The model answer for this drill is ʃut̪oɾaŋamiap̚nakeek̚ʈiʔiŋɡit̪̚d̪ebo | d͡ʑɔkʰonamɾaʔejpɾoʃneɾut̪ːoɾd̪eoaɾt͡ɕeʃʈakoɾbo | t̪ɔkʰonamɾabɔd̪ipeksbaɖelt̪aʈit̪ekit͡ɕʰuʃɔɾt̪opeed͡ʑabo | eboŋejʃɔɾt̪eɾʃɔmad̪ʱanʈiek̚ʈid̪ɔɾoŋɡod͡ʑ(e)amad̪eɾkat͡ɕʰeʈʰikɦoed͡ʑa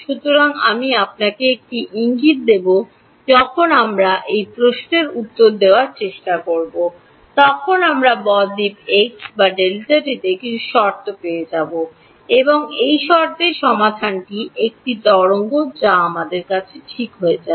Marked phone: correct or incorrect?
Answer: incorrect